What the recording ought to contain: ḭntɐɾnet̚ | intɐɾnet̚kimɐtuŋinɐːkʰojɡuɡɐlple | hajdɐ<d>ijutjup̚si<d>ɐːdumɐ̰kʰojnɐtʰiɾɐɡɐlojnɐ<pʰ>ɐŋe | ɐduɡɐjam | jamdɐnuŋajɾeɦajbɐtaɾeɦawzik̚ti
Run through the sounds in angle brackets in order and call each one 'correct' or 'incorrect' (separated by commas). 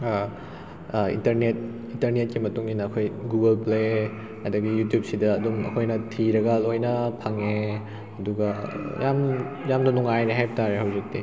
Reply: incorrect, correct, correct